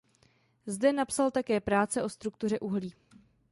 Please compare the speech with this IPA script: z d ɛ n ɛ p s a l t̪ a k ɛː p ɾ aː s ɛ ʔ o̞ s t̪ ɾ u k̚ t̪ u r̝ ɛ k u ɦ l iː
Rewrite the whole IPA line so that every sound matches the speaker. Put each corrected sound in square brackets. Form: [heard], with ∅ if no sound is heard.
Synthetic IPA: z d ɛ n [a] p s a l t̪ a k ɛː p ɾ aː [t͡s] ɛ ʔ o̞ s t̪ ɾ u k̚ t̪ u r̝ ɛ [ʔ] u ɦ l iː